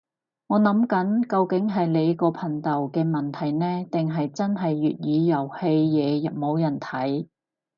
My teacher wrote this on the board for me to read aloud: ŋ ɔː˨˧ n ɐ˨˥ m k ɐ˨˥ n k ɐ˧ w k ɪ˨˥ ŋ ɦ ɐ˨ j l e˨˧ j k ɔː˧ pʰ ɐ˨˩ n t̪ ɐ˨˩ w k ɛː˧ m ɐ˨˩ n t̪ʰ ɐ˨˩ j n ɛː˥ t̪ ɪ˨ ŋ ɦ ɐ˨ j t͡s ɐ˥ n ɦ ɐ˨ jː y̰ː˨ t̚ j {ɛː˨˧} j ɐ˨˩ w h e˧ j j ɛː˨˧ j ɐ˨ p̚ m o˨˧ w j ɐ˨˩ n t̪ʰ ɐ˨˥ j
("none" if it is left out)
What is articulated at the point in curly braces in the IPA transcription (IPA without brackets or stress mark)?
iː˨˧